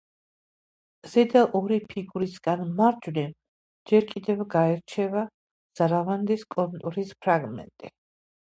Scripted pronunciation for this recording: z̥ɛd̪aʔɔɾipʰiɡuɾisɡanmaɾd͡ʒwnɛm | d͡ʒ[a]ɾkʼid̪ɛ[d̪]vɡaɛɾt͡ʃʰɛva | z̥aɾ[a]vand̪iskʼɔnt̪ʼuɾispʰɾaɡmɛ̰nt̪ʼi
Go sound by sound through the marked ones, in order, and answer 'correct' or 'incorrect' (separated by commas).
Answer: incorrect, incorrect, correct